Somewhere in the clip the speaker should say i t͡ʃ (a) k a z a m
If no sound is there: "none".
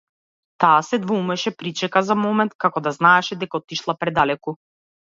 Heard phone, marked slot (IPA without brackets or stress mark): ɛ